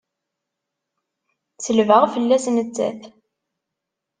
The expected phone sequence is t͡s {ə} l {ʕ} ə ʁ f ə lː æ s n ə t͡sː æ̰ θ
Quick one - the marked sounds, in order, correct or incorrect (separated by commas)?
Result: correct, incorrect